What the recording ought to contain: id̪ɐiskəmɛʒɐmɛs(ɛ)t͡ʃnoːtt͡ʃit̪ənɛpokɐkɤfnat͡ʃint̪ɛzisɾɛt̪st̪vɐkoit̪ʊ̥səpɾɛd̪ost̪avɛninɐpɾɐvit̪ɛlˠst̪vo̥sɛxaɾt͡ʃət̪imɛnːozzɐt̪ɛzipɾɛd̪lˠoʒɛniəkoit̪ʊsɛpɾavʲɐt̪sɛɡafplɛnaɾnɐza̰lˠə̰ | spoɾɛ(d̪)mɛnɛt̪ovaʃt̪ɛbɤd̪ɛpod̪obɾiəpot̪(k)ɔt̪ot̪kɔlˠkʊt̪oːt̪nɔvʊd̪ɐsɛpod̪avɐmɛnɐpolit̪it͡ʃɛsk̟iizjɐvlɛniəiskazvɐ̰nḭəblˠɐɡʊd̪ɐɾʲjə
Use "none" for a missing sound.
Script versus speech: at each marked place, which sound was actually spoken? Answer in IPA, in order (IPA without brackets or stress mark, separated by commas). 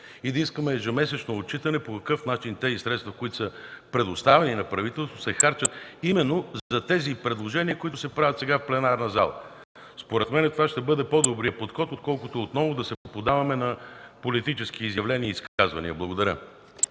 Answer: ɛ, t̪, x